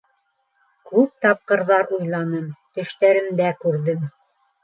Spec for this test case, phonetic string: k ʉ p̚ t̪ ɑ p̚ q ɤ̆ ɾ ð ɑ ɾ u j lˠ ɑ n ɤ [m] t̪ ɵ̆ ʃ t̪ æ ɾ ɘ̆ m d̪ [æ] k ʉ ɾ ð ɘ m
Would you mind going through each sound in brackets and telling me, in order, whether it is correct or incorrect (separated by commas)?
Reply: correct, correct